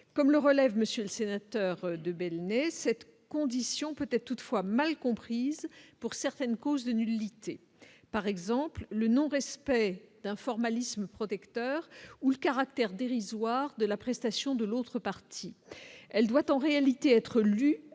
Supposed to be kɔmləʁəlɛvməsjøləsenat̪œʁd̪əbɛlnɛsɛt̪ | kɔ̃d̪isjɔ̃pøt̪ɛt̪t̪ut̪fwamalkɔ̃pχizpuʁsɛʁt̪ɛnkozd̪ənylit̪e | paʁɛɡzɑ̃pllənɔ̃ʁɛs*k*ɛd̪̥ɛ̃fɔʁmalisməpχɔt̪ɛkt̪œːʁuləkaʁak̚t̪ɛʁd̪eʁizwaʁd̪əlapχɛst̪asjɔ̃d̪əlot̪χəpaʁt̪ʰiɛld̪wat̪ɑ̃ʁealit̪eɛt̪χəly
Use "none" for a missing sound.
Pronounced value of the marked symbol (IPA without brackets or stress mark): p